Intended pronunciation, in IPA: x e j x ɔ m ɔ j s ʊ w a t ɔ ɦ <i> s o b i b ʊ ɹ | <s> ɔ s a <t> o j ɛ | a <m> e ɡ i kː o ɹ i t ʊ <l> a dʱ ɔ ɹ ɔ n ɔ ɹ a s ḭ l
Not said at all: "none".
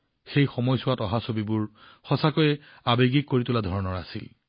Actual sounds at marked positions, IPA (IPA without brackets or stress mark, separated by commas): a, x, k, b, l